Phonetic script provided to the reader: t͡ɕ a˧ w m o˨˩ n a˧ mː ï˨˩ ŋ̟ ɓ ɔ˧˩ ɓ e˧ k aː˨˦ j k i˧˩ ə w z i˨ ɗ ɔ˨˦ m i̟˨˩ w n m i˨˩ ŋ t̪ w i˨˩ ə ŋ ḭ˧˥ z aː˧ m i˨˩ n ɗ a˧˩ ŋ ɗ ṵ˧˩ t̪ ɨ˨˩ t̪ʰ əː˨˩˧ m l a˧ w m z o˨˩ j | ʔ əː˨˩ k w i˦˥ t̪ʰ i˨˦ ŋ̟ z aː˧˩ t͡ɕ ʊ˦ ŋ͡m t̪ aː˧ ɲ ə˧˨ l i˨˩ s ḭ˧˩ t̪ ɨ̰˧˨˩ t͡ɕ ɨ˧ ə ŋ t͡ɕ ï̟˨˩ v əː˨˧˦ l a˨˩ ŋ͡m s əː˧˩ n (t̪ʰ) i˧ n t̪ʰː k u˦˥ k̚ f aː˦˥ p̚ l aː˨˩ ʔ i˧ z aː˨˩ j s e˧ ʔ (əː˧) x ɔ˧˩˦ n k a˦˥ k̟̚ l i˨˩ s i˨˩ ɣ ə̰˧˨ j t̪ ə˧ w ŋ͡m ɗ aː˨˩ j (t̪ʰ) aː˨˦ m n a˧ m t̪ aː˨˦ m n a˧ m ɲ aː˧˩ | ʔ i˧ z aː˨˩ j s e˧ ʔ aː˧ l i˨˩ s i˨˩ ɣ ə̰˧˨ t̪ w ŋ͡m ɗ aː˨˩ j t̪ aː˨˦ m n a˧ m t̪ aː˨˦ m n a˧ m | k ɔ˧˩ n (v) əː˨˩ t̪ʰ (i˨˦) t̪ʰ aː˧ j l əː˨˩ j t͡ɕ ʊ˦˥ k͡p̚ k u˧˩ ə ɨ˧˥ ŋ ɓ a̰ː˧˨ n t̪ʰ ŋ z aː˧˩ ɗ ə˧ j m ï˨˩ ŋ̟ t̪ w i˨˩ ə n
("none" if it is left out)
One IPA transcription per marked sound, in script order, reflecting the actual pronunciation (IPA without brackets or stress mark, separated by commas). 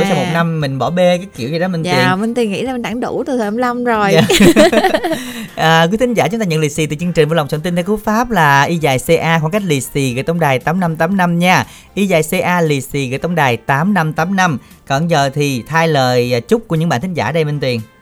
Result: t̪, aː˧, t̪, z, i˨˩